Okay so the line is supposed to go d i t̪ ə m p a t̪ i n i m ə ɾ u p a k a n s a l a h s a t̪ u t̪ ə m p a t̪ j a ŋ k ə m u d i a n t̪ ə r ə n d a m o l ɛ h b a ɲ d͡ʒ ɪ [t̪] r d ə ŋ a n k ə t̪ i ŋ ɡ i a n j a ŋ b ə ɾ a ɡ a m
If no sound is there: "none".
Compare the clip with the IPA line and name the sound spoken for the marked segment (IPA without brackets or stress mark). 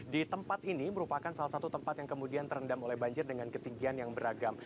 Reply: none